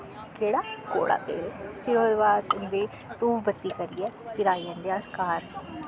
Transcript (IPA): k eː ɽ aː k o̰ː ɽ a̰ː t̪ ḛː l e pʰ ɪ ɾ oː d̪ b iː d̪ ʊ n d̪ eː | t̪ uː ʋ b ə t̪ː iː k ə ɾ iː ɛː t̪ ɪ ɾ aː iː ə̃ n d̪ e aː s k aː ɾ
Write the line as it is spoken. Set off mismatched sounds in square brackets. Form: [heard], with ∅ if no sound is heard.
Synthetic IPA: k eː ɽ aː k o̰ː ɽ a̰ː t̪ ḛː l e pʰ ɪ ɾ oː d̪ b [aː] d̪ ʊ n d̪ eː | t̪ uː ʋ b ə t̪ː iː k ə ɾ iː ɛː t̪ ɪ ɾ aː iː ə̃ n d̪ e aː s k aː ɾ